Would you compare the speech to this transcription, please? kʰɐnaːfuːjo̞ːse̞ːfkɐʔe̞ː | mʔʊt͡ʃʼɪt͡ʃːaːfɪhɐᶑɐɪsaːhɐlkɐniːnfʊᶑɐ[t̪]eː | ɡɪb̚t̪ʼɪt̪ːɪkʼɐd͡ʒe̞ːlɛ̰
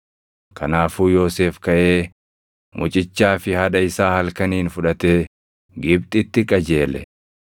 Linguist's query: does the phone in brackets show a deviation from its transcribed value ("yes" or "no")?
no